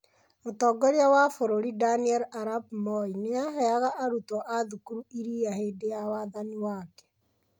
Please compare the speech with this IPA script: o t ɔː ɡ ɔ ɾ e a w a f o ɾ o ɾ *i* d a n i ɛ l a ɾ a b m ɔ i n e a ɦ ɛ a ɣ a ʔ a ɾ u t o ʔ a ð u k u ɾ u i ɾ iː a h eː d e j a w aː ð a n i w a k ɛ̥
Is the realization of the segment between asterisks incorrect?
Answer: no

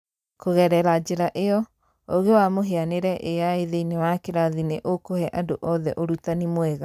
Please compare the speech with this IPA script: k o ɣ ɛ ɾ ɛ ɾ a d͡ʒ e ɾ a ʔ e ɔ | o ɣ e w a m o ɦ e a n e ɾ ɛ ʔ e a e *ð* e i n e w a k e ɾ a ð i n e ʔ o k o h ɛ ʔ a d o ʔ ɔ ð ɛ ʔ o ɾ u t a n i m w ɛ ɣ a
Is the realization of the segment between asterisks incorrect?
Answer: no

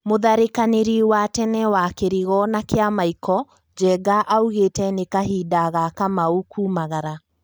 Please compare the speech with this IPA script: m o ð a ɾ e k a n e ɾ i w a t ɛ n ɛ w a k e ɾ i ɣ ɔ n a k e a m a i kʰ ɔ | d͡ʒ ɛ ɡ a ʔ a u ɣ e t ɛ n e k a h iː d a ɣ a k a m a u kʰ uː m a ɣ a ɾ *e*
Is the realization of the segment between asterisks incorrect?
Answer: yes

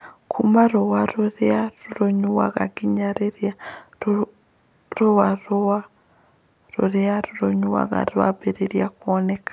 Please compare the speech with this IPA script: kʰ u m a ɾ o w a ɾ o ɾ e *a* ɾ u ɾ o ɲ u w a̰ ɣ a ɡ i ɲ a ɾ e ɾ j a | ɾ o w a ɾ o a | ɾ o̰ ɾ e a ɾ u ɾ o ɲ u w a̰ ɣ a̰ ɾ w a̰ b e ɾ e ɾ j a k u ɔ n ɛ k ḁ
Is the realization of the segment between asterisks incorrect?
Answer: no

